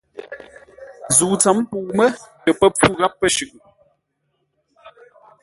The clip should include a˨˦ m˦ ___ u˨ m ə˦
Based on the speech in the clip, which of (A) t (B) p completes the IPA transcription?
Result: B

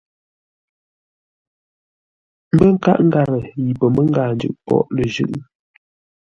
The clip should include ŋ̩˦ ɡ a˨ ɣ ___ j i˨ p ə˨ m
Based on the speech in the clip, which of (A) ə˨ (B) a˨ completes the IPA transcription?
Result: A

